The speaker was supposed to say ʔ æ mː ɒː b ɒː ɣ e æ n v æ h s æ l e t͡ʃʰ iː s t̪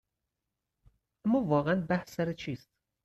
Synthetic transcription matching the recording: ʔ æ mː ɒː v ɒː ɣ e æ n b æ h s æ ɾ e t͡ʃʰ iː s t̪

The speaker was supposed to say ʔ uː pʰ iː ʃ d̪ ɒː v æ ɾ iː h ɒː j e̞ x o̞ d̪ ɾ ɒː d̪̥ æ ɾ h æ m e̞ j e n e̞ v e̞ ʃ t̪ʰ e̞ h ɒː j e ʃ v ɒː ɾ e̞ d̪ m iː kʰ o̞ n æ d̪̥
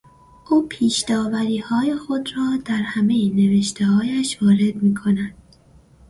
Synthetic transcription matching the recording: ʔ uː pʰ iː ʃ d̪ ɒː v æ ɾ iː h ɒː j e̞ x o̞ d̪ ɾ ɒː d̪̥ æ ɾ h æ m e̞ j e n e̞ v e̞ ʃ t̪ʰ e̞ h ɒː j æ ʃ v ɒː ɾ e̞ d̪ m iː kʰ o̞ n æ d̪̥

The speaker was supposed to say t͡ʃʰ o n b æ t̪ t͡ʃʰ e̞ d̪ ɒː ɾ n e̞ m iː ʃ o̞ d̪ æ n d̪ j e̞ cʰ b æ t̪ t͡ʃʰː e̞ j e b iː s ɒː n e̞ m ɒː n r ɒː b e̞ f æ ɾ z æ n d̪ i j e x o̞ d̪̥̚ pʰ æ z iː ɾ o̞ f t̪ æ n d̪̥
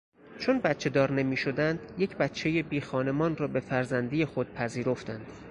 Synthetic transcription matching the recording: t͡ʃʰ o n b æ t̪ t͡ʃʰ e̞ d̪ ɒː ɾ n e̞ m iː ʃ o̞ d̪ æ n d̪ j e̞ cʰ b æ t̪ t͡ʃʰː e̞ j e b iː x ɒː n e̞ m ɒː n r ɒː b e̞ f æ ɾ z æ n d̪ i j e x o̞ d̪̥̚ pʰ æ z iː ɾ o̞ f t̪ æ n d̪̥

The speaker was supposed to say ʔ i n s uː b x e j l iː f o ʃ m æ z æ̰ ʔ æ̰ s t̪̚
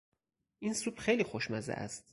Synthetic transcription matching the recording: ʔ i n s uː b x e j l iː x o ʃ m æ z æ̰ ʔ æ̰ s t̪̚

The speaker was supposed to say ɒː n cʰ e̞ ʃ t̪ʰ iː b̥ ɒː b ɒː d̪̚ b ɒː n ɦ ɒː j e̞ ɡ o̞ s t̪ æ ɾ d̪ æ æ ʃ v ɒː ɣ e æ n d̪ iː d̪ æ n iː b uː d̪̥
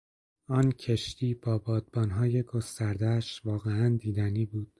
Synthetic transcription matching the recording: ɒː n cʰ e̞ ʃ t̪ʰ iː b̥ ɒː b ɒː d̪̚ b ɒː n ɦ ɒː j e̞ ɡ o̞ s t̪ æ ɾ d̪ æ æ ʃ v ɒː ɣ e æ n d̪ iː d̪ æ n iː b uː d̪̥

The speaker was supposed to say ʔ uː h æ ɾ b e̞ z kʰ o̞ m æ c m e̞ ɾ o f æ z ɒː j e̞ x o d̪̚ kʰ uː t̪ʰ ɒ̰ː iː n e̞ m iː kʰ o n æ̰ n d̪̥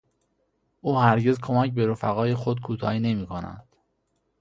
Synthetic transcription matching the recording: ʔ uː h æ ɾ ɟ e̞ z kʰ o̞ m æ c b e̞ ɾ o f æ ɣ ɒː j e̞ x o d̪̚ kʰ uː t̪ʰ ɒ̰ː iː n e̞ m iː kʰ o n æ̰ n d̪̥

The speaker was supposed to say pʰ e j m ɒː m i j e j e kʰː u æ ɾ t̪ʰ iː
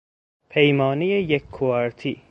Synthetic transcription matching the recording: pʰ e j m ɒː n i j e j e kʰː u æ ɾ t̪ʰ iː

